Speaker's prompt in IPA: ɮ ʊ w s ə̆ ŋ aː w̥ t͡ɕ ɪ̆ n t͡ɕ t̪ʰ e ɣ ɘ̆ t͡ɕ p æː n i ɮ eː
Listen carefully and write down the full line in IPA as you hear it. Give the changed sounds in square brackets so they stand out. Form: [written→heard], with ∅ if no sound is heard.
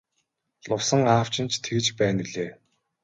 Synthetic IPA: ɮ ʊ w s ə̆ ŋ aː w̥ t͡ɕ ɪ̆ n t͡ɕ t̪ʰ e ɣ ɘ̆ t͡ɕ p æː n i ɮ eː